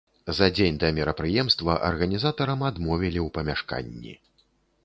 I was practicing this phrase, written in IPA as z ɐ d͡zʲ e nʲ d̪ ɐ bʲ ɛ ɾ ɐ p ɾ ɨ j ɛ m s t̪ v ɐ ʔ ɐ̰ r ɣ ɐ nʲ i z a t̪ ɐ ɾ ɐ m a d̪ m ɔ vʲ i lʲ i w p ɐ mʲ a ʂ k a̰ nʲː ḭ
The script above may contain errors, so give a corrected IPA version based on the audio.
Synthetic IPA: z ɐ d͡zʲ e nʲ d̪ ɐ mʲ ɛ ɾ ɐ p ɾ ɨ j ɛ m s t̪ v ɐ ʔ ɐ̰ r ɣ ɐ nʲ i z a t̪ ɐ ɾ ɐ m a d̪ m ɔ vʲ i lʲ i w p ɐ mʲ a ʂ k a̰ nʲː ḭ